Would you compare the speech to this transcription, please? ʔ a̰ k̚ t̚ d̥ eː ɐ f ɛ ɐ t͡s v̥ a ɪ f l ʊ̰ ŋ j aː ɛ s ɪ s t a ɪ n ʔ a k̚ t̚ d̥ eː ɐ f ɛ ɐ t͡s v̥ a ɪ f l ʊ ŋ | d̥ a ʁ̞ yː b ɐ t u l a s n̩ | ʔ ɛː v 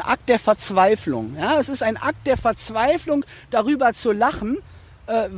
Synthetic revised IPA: ʔ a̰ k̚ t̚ d̥ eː ɐ f ɛ ɐ t͡s v̥ a ɪ f l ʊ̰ ŋ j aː ɛ s ɪ s t a ɪ n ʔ a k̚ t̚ d̥ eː ɐ f ɛ ɐ t͡s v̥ a ɪ f l ʊ ŋ | d̥ a ʁ̞ yː b ɐ t͡s u l a χ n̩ | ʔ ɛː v